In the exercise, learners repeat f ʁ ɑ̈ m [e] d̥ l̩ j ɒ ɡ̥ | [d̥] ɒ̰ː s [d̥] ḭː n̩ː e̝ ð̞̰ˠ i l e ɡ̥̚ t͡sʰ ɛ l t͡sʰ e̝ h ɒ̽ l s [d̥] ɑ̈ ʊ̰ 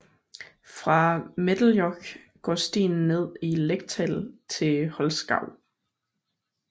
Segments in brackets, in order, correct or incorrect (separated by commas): correct, incorrect, correct, incorrect